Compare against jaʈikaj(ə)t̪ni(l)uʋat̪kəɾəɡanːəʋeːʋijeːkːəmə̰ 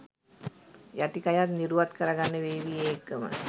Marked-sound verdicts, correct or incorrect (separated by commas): incorrect, incorrect